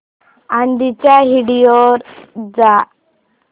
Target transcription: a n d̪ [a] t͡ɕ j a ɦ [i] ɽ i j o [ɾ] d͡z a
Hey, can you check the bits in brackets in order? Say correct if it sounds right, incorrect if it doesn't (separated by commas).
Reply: incorrect, correct, correct